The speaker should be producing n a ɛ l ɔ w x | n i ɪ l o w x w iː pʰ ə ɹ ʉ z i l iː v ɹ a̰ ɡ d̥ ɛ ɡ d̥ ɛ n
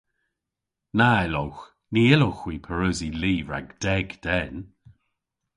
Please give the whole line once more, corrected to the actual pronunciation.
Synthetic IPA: n a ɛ l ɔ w x | n i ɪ l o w x w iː pʰ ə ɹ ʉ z i l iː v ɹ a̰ ɡ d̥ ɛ ɡ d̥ ɛ n

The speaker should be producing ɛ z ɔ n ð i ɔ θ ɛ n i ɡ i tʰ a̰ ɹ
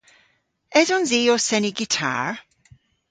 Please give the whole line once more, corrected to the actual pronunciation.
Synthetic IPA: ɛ z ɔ n z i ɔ s ɛ n i ɡ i tʰ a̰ ɹ

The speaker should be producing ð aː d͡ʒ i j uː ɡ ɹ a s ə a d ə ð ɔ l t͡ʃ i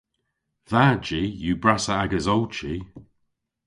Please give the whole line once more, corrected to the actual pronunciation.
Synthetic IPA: ð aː d͡ʒ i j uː b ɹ a s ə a ɡ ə z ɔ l t͡ʃ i

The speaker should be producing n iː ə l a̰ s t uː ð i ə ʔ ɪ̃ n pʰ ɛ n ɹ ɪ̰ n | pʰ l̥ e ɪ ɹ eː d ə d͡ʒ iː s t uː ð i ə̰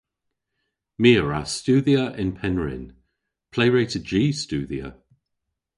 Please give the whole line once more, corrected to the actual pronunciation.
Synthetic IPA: m iː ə ɹ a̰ s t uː ð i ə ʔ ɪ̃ n pʰ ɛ n ɹ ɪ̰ n | pʰ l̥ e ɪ ɹ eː t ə d͡ʒ iː s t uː ð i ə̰

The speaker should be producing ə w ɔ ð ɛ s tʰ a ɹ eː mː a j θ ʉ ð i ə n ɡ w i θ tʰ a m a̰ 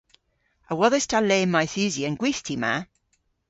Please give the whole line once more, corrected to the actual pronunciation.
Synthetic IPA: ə w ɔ ð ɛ s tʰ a l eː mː a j θ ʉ z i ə n ɡ w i θ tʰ i m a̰

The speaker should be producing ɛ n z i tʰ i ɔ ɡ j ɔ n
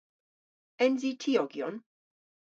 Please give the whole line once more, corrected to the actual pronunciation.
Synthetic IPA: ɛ n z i tʰ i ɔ ɡ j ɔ n

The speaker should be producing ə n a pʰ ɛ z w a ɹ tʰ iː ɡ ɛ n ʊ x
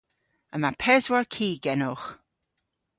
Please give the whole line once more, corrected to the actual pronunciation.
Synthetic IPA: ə m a pʰ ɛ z w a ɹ kʰ iː ɡ ɛ n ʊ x

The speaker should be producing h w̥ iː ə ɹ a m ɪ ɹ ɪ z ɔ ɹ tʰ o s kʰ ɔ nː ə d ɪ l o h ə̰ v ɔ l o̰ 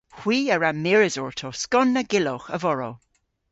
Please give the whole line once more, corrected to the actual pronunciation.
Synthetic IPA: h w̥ iː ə ɹ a m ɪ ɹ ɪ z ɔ ɹ tʰ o s k ɔ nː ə ɡ ɪ l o x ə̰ v ɔ ɹ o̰

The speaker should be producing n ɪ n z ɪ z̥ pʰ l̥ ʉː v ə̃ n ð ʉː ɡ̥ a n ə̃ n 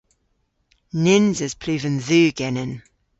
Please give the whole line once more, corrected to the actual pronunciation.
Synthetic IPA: n ɪ n z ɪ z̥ pʰ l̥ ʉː v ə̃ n ð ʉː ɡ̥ ɛ n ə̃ n

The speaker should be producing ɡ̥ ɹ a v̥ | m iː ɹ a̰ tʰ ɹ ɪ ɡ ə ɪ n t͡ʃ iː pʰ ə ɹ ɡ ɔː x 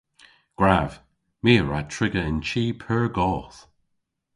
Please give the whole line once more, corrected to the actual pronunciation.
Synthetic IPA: ɡ̥ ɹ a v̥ | m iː ɹ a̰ tʰ ɹ ɪ ɡ ə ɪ n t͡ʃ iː pʰ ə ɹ ɡ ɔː θ

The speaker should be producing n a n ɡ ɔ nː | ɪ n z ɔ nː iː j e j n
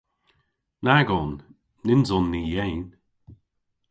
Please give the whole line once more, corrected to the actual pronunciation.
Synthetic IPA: n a ɡ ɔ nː | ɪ n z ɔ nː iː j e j n

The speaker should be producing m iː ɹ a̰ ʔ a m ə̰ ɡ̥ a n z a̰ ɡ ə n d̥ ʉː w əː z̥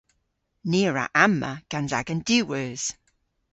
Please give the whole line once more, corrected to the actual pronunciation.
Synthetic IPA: n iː ɹ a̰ ʔ a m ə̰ ɡ̥ a n z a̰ ɡ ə n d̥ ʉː w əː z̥

